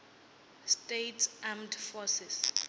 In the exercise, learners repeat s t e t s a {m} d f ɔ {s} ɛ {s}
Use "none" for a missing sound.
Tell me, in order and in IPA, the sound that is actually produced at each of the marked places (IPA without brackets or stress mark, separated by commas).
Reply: m, s, s